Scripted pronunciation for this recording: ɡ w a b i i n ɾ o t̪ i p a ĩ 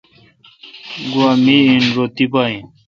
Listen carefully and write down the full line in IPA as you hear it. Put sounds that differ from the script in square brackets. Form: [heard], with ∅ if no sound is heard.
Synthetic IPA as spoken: ɡ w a [m] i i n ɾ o t̪ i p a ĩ